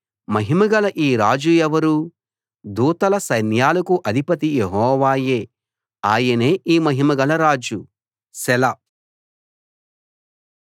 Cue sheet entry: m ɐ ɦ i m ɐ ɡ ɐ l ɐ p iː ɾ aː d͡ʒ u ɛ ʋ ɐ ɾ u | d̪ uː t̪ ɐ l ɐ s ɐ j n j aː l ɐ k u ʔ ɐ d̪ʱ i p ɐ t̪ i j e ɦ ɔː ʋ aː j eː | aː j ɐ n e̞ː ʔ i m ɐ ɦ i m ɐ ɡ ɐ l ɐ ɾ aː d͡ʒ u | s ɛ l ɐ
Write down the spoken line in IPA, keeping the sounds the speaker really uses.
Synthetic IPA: m ɐ ɦ i m ɐ ɡ ɐ l ɐ ʔ iː ɾ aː d͡ʒ u ɛ ʋ ɐ ɾ u | d̪ uː t̪ ɐ l ɐ s ɐ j n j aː l ɐ k u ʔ ɐ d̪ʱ i p ɐ t̪ i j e ɦ ɔː ʋ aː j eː | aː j ɐ n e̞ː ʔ iː m ɐ ɦ i m ɐ ɡ ɐ l ɐ ɾ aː d͡ʒ u | s ɛ l ɐ

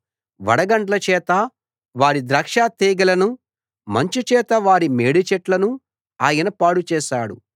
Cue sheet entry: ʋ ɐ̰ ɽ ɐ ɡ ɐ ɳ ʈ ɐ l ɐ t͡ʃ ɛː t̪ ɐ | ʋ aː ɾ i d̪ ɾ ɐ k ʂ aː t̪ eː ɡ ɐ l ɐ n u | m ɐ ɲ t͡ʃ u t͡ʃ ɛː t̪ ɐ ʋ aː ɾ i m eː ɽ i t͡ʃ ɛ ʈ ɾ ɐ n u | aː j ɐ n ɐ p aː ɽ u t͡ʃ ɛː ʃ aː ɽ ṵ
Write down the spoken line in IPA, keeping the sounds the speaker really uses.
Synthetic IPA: ʋ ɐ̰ ɽ ɐ ɡ ɐ ɳ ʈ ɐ l ɐ t͡ʃ ɛː t̪ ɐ | ʋ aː ɾ i d̪ ɾ ɐ k ʂ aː t̪ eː ɡ ɐ l ɐ n u | m ɐ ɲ t͡ʃ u t͡ʃ ɛː t̪ ɐ ʋ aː ɾ i m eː ɽ i t͡ʃ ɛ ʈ l ɐ n u | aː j ɐ n ɐ p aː ɽ u t͡ʃ ɛː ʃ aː ɽ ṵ

